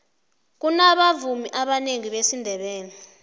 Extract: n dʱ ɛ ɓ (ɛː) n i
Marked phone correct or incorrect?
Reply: correct